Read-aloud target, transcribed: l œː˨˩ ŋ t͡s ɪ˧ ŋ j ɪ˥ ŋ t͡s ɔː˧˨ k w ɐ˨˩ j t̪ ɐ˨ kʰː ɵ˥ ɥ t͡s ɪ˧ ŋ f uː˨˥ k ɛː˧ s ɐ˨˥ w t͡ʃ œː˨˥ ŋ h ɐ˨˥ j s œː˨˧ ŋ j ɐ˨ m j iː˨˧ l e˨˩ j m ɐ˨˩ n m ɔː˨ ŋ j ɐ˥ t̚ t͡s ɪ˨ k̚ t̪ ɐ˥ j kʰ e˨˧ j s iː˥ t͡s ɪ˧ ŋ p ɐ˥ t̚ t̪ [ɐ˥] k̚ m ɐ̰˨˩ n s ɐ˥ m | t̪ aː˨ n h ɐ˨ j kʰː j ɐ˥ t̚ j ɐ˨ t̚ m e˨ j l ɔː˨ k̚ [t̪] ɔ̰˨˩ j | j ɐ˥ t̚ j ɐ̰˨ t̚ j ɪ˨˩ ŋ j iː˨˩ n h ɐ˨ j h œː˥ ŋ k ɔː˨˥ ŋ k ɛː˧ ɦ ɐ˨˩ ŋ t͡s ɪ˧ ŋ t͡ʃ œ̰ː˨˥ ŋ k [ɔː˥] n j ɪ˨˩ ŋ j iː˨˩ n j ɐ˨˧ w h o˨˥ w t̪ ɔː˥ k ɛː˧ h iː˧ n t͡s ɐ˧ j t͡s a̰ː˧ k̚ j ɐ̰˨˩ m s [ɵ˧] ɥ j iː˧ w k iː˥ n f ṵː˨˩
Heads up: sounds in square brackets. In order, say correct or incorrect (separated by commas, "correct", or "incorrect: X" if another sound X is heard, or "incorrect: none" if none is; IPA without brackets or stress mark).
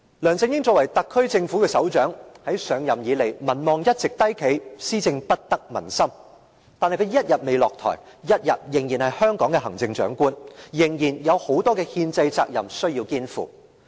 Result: correct, incorrect: t̪ʰ, incorrect: uː˥, incorrect: ɵ˥